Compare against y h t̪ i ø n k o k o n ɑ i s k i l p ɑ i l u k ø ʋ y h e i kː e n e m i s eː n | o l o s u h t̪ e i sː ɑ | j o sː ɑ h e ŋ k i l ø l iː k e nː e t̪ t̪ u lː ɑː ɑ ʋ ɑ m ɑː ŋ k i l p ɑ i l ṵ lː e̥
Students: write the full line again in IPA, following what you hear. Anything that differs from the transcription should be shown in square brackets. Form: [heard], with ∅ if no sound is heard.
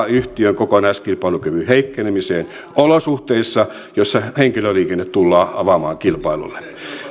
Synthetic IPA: y h t̪ i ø [ŋ] k o k o n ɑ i s k i l p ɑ i l u k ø ʋ y h e i kː e n e m i s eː n | o l o s u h t̪ e i sː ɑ | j o sː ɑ h e ŋ k i l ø l iː k e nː e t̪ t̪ u lː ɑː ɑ ʋ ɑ m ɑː ŋ k i l p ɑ i l ṵ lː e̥